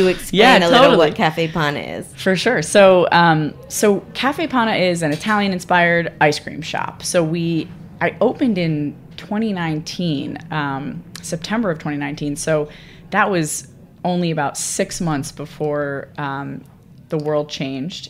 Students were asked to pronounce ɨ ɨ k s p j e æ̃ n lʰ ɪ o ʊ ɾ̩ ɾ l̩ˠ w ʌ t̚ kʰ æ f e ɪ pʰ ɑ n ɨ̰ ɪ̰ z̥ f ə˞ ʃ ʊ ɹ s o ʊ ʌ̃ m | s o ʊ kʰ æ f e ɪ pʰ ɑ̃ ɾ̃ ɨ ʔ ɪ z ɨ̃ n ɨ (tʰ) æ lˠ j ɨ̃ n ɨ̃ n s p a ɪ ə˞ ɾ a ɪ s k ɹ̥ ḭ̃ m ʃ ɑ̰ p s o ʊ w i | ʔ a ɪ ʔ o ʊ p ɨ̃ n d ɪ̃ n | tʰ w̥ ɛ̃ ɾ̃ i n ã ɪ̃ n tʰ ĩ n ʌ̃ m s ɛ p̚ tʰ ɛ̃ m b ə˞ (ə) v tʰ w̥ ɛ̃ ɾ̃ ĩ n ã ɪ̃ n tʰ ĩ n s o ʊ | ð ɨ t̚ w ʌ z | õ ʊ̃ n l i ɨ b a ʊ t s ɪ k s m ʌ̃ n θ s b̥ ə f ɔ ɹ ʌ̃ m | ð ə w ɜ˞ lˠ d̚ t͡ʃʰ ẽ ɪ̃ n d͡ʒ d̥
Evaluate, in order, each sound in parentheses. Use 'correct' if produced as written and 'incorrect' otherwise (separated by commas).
correct, incorrect